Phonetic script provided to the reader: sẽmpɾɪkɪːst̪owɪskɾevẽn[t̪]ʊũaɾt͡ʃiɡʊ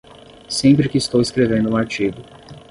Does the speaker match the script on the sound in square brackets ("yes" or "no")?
no